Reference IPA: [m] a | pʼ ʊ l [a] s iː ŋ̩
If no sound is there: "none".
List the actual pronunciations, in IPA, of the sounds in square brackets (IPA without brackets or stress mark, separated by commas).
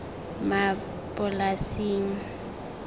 m, a